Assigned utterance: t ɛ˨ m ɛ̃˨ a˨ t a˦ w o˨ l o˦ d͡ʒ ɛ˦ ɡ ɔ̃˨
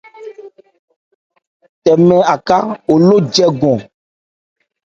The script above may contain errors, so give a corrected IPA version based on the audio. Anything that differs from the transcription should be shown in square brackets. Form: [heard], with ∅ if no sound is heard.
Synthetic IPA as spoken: t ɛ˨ m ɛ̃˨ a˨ [k] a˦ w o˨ l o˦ d͡ʒ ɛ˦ ɡ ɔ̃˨